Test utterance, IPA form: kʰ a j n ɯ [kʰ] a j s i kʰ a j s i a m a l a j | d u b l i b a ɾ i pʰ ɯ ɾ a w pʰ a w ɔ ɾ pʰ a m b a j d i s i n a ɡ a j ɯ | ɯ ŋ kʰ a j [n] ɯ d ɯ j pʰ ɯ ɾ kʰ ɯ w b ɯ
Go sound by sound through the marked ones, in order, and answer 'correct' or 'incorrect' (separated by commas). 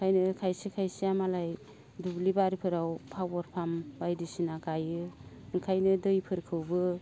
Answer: correct, correct